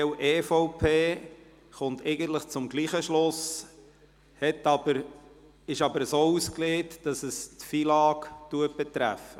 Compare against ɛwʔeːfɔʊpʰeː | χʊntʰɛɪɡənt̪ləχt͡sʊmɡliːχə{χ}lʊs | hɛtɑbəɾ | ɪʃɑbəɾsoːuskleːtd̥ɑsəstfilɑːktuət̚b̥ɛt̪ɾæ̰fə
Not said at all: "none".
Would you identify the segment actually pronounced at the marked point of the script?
ʃ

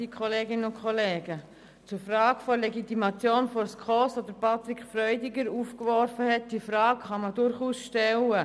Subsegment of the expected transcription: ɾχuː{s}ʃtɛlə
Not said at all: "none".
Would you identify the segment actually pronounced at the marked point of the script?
s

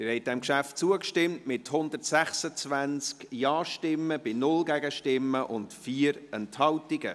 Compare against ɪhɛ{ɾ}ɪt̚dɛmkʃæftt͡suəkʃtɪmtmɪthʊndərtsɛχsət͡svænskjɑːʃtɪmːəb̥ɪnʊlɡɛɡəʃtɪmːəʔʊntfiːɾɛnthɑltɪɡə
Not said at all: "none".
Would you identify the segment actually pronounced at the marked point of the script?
none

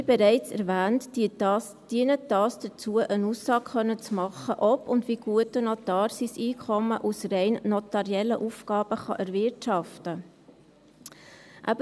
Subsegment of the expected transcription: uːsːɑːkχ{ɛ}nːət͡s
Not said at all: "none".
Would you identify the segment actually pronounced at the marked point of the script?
œ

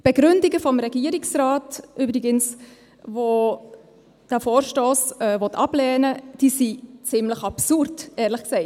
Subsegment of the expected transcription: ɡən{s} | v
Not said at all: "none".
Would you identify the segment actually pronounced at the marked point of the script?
s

